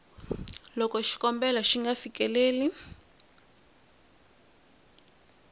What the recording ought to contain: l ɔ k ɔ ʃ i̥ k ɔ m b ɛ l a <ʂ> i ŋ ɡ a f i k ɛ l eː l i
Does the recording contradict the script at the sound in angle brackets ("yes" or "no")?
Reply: yes